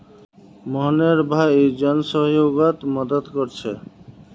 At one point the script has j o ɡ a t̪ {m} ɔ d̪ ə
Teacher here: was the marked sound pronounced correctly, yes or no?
yes